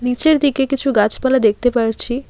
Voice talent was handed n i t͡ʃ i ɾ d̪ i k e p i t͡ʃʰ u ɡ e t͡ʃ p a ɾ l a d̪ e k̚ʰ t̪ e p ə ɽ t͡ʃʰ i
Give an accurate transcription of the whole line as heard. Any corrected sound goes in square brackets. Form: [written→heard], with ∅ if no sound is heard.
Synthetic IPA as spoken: n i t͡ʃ [i→e] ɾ d̪ i k e [p→k] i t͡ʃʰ u ɡ [e→a] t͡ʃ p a [ɾ→∅] l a d̪ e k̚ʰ t̪ e p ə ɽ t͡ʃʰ i